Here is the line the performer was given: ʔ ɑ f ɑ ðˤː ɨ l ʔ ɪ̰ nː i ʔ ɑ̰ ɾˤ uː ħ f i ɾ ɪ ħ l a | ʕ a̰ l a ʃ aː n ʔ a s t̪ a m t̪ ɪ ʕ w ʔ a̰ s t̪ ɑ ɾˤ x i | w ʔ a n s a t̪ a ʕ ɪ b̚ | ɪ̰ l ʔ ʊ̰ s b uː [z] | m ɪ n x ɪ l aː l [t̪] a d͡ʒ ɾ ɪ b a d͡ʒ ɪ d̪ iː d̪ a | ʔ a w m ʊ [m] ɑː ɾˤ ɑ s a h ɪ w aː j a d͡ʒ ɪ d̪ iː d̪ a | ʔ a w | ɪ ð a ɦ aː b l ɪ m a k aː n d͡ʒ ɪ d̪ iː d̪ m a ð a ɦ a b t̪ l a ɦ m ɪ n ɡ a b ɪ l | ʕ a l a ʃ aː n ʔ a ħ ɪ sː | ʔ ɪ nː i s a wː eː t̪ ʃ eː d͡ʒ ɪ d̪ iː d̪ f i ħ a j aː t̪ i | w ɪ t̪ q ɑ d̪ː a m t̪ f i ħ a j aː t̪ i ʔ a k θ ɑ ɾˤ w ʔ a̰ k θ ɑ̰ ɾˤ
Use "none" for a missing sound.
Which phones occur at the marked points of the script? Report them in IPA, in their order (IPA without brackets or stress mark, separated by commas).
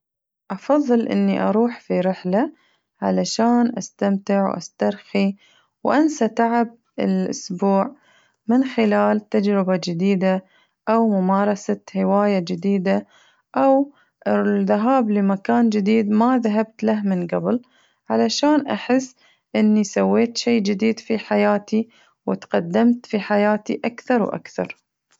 ʕ, t̪, m